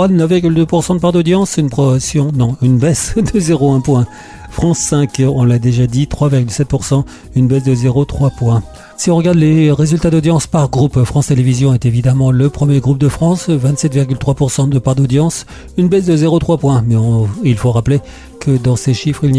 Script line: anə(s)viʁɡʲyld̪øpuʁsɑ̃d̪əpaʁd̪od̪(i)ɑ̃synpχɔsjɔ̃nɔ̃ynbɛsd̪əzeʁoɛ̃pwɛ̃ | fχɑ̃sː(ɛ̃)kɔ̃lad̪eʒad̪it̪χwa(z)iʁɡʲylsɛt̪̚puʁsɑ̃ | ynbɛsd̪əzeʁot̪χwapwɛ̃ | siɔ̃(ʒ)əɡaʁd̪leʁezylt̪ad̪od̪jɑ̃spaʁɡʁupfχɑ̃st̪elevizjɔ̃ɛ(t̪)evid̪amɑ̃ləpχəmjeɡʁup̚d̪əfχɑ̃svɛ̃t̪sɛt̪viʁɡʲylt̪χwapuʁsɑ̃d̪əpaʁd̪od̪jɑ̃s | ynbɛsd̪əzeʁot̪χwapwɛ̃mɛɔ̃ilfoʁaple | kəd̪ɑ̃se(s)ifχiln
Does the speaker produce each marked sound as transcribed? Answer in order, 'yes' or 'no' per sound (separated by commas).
no, no, yes, no, no, yes, no